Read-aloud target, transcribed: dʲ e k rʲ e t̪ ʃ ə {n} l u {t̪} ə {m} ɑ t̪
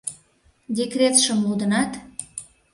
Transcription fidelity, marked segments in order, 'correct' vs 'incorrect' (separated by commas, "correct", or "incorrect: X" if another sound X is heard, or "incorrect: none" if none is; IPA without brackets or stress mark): incorrect: m, incorrect: d̪, incorrect: n